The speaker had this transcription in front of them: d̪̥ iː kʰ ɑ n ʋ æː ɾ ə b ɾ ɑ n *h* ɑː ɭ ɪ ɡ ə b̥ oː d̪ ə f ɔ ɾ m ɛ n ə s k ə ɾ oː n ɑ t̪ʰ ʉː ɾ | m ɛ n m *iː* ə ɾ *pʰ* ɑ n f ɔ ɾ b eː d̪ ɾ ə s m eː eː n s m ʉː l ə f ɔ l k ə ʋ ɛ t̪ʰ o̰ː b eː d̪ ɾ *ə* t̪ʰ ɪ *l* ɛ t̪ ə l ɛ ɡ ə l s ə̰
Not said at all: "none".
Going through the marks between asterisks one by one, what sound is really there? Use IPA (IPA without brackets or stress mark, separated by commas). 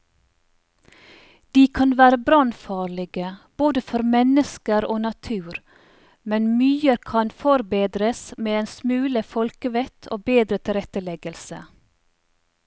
f, yː, kʰ, ə, ɾ